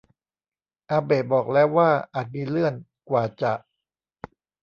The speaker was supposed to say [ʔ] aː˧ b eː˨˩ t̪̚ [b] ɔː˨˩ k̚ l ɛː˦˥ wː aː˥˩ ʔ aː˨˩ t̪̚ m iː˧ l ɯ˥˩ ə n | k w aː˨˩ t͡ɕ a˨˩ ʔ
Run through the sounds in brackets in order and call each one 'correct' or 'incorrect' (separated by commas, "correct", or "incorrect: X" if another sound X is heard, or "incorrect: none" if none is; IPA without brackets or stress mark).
correct, correct